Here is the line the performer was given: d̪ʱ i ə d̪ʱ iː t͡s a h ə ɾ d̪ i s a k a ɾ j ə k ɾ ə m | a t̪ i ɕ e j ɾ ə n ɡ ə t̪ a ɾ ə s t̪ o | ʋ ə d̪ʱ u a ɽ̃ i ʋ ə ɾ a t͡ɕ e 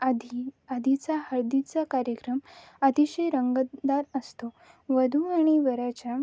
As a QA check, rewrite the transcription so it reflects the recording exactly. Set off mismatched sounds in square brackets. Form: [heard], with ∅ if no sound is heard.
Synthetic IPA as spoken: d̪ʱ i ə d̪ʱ [i] t͡s a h ə ɾ d̪ i [t͡s] a k a ɾ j ə k ɾ ə m | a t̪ i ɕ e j ɾ ə [ŋ] ɡ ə [d̪] a ɾ ə s t̪ o | ʋ ə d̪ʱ u a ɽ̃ i ʋ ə ɾ a t͡ɕ [a]